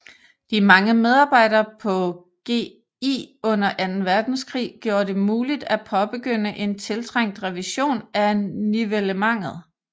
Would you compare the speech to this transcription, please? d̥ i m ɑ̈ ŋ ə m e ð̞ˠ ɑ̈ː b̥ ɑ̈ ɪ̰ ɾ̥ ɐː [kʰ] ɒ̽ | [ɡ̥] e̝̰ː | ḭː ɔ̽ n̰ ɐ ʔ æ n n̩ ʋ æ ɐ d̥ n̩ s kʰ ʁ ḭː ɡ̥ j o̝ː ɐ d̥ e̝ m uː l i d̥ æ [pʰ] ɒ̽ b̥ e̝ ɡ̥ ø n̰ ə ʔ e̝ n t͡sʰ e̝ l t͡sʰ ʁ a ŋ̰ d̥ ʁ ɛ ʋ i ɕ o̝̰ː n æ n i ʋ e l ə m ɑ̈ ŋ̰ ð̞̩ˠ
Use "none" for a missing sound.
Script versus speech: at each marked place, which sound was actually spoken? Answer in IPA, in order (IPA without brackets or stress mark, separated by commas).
pʰ, ɡ̥, pʰ